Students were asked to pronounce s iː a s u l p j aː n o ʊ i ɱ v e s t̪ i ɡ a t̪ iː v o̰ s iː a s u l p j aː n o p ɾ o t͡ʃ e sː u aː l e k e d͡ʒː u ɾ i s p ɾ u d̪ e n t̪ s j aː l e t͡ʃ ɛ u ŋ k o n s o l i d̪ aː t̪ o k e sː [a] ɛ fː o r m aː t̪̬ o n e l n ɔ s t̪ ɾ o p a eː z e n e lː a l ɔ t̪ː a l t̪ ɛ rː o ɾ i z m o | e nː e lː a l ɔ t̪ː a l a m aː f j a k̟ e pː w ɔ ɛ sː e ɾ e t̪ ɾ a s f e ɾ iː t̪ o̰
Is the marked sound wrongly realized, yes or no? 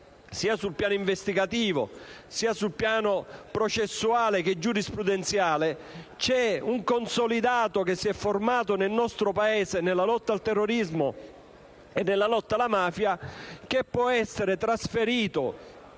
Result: yes